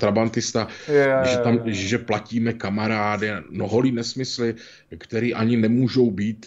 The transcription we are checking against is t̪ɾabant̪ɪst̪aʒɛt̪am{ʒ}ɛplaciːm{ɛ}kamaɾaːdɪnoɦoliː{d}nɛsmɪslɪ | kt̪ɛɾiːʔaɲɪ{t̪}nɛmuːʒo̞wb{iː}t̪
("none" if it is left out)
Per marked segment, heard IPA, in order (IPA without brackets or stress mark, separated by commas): ʒ, ɛ, none, none, iː